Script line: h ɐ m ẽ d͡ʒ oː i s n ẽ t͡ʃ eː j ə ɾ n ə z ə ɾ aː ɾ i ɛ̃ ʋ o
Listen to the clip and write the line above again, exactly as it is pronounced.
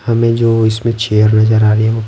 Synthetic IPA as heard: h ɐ m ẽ d͡ʒ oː ɪ s m ẽ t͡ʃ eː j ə ɾ n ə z ə ɾ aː ɾ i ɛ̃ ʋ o